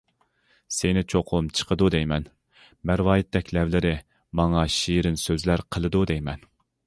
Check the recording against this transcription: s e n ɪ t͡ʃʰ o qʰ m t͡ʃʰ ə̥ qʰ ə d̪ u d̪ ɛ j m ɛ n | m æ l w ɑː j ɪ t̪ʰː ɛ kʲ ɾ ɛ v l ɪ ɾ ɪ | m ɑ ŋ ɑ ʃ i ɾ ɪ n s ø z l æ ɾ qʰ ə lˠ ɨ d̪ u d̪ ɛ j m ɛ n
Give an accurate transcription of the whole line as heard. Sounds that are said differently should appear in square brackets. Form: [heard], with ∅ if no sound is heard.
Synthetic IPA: s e n ɪ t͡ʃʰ o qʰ m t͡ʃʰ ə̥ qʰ ə d̪ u d̪ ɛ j m ɛ n | m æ [ɾ] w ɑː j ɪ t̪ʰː ɛ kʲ [l] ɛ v l ɪ ɾ ɪ | m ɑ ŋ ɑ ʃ i ɾ ɪ n s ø z l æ ɾ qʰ ə lˠ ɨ d̪ u d̪ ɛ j m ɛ n